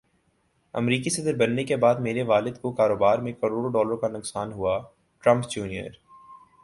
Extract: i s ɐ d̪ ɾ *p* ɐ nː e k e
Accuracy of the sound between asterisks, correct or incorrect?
incorrect